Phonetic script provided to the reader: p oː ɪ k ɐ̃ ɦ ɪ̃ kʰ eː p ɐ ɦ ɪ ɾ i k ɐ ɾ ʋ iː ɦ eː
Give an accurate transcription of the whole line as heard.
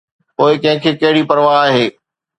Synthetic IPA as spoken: p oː ɪ k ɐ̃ ɦ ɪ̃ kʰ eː k ɐ ɦ ɪ ɽ i p ɐ ɾ ʋ aː ɦ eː

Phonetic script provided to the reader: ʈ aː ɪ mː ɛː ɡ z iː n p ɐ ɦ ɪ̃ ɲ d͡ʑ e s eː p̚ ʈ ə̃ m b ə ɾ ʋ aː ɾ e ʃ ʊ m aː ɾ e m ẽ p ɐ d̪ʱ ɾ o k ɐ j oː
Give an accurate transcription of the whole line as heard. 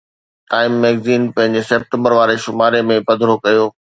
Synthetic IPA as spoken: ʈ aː ɪ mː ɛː ɡ z iː n p ɐ̃ ɦ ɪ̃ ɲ d͡ʑ e s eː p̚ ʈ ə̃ m b ə ɾ ʋ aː ɾ e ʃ ʊ m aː ɾ e m ẽ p ɐ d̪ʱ ɾ o k ɐ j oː

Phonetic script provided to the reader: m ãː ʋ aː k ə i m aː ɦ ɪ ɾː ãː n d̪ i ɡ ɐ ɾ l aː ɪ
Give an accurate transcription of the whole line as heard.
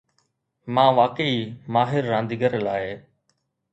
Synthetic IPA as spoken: m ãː ʋ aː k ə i m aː ɦ ɪ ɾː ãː n d̪ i ɡ ə ɾ l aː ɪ

